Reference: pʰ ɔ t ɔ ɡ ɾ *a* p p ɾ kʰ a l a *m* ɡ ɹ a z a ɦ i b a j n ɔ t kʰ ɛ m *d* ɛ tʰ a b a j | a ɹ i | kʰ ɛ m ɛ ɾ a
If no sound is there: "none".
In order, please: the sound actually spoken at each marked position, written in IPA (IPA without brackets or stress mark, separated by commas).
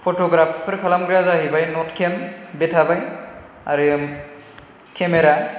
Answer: a, m, b